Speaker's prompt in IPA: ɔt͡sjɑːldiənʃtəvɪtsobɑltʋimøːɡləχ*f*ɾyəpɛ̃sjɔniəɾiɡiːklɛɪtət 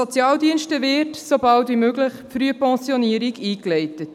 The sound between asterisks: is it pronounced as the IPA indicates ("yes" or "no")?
yes